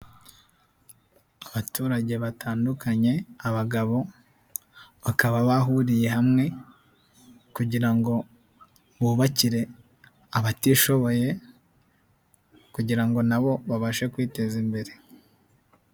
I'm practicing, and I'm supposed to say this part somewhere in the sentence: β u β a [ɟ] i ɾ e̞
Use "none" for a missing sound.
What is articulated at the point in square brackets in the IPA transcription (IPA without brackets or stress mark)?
c